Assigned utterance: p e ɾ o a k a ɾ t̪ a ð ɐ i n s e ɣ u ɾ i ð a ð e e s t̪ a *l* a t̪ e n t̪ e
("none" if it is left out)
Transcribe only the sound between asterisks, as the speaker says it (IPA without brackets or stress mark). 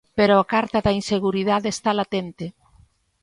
l